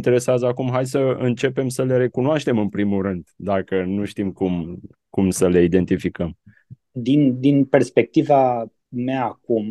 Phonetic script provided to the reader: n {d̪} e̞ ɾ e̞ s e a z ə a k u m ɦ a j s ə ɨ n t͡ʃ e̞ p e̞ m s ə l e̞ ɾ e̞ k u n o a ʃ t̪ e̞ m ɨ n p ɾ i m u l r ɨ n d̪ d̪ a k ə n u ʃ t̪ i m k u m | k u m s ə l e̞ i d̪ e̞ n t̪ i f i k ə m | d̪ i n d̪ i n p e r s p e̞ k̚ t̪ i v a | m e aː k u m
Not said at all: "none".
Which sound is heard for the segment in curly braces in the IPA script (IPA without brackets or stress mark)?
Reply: t̪